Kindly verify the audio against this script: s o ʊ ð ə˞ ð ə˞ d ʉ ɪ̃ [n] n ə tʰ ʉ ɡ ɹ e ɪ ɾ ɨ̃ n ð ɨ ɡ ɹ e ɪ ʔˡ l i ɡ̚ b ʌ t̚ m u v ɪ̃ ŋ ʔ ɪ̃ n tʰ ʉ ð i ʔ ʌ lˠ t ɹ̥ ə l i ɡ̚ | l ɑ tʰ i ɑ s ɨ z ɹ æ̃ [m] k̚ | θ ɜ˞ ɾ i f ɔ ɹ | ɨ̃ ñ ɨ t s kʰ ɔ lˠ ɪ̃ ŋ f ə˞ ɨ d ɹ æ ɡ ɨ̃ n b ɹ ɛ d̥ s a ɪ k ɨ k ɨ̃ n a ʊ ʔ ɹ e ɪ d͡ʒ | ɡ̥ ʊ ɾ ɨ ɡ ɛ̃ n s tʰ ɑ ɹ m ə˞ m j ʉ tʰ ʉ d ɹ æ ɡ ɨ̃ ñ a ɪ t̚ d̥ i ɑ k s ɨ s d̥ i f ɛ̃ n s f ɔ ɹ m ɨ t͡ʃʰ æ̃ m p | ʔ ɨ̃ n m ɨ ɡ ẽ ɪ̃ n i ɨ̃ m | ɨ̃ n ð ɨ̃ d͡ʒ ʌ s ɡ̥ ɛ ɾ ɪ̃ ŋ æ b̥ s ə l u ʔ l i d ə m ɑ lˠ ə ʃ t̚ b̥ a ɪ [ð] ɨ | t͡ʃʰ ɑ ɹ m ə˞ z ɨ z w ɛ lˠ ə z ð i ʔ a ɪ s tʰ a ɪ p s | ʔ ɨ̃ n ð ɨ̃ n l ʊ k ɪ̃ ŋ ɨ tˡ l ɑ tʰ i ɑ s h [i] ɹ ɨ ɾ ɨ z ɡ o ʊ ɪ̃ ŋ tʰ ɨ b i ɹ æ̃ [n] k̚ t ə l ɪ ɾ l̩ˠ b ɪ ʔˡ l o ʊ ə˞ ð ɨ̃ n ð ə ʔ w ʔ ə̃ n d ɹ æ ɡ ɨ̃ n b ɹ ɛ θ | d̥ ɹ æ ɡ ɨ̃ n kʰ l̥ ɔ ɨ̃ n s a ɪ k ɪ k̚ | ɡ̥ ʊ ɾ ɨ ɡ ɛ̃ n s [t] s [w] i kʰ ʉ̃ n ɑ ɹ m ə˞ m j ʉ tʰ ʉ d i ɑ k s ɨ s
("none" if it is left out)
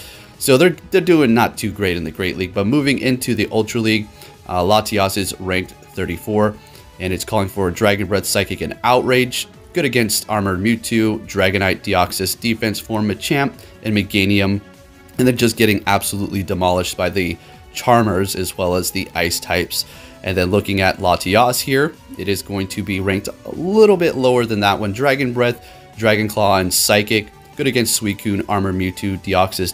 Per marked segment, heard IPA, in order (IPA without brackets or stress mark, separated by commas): ŋ, ŋ, ð, i, ŋ, t, w